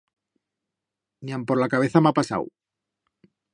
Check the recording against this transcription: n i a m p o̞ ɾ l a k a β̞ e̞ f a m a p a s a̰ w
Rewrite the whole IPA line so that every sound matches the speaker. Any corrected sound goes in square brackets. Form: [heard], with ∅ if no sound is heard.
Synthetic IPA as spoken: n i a m p o̞ ɾ l a k a β̞ e̞ [θ] a m a p a s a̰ w